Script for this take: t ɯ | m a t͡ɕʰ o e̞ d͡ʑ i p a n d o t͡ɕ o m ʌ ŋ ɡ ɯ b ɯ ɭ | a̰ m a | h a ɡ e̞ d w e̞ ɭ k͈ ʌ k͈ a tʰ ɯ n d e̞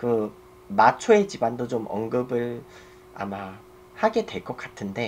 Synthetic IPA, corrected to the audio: k ɯ | m a t͡ɕʰ o e̞ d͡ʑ i b a n d o t͡ɕ o m ʌ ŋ ɡ ɯ b ɯ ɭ | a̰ m a | h a ɡ e̞ d w e̞ ɭ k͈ ʌ k͈ a tʰ ɯ n d e̞